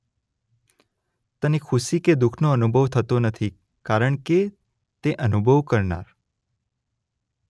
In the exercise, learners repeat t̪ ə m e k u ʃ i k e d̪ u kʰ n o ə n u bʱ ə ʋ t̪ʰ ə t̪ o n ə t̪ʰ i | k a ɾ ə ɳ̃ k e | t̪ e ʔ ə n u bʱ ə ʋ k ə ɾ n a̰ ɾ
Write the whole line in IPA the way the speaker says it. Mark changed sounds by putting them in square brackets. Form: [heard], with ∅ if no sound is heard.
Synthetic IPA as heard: t̪ ə [n] e [kʰ] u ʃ i k e d̪ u kʰ n o ə n u bʱ ə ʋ t̪ʰ ə t̪ o n ə t̪ʰ i | k a ɾ ə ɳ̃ k e | t̪ e ʔ ə n u bʱ ə ʋ k ə ɾ n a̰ ɾ